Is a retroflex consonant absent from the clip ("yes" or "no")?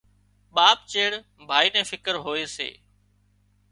no